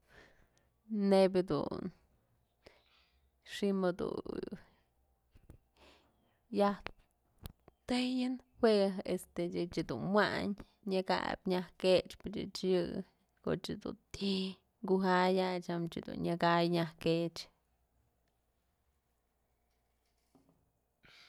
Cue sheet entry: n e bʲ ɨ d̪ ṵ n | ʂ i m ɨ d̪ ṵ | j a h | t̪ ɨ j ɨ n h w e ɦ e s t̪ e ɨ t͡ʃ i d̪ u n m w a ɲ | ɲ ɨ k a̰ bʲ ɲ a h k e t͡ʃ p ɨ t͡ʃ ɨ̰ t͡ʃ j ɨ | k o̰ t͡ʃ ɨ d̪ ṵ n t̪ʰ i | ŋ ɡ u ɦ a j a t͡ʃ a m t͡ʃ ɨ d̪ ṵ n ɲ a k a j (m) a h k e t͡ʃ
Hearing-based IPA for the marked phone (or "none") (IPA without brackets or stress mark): ɲ